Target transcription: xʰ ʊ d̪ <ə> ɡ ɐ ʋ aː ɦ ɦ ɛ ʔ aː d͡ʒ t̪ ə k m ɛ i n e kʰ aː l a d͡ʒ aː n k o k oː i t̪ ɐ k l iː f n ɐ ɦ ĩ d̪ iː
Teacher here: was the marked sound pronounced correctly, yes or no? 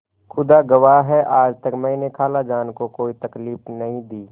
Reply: no